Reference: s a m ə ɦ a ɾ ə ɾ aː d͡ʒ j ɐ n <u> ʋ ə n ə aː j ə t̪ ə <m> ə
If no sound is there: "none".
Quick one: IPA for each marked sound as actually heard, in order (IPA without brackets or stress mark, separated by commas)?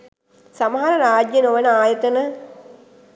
o, n